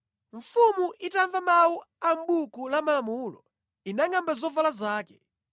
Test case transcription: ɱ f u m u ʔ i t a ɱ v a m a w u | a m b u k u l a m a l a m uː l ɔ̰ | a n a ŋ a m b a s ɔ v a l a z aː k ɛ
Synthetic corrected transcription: ɱ f u m u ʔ i t a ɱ v a m a w u | a m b u k u l a m a l a m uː l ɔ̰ | i n a ŋ a m b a z ɔ v a l a z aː k ɛ

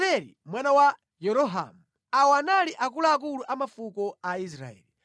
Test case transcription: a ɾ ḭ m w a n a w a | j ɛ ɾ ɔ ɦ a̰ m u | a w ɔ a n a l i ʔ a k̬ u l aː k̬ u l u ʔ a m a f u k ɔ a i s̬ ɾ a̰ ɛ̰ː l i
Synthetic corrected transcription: ɛ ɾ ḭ m w a n a w a | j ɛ ɾ ɔ ɦ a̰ m u | a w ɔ a n a l i ʔ a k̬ u l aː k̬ u l u ʔ a m a f u k ɔ a i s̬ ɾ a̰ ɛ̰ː l i

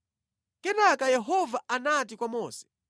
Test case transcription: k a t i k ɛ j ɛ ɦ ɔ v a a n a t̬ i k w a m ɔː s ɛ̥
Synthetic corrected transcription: k ɛ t a k a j ɛ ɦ ɔ v a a n a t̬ i k w a m ɔː s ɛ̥

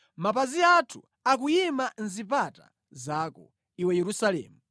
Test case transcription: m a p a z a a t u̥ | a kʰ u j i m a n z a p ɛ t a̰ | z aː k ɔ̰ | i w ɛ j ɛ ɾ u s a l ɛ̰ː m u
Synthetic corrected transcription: m a p a z i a tʰ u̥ | a k u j i m a n z i p a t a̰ | z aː k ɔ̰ | i w ɛ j ɛ ɾ u s a l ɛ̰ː m u

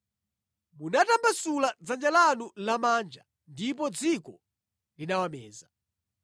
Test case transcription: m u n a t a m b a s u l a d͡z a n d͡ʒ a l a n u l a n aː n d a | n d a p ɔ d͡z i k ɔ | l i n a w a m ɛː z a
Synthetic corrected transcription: m u n a t a m b a s u l a d͡z a n d͡ʒ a l a n u l a m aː n d͡ʒ a | n d i p ɔ d͡z i k ɔ | l i n a w a m ɛː z a

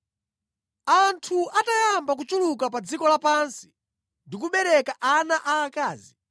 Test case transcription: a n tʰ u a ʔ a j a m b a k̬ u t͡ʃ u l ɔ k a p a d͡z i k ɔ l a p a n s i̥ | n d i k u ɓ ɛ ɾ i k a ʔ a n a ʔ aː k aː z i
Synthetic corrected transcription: a n tʰ u a t a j a m b a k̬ u t͡ʃ u l u k a p a d͡z i k ɔ l a p a n s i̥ | n d i k u ɓ ɛ ɾ ɛ k a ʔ a n a ʔ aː k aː z i

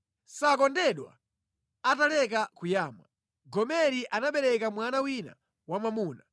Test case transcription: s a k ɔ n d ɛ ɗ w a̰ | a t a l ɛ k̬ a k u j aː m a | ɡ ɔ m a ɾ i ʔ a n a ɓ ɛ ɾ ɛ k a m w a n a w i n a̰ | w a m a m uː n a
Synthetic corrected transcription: s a k ɔ n d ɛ ɗ w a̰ | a t a l ɛ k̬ a k u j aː m a | ɡ ɔ m ɛ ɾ i ʔ a n a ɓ ɛ ɾ ɛ k a m w a n a w i n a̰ | w a m a m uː n a

